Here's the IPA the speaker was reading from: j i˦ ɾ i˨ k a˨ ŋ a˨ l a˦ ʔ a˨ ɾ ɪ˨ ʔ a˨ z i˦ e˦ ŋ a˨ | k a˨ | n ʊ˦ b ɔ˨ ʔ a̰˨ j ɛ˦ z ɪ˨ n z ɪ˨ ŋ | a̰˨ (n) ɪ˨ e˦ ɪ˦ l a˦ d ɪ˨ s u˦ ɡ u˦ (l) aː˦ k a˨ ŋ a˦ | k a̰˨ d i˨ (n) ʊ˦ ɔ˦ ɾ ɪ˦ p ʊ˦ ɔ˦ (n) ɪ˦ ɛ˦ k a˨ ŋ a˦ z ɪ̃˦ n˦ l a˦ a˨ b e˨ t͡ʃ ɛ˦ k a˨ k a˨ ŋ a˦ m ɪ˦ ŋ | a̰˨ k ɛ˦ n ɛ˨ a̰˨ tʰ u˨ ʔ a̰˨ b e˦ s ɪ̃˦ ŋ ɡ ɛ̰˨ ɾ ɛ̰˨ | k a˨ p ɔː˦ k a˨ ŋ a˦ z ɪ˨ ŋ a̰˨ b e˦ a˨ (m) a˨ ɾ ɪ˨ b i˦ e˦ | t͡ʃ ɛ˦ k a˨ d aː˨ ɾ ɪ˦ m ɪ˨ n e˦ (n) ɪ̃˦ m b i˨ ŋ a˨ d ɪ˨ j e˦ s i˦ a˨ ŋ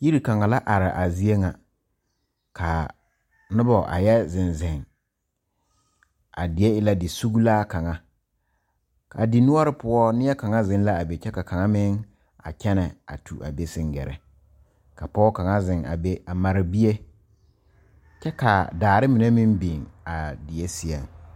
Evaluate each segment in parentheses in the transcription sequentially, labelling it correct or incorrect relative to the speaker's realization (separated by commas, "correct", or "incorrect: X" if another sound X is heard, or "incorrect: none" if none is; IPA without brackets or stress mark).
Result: incorrect: d, correct, correct, correct, correct, incorrect: m